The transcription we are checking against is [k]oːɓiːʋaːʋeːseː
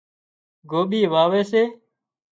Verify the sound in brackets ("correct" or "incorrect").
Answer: incorrect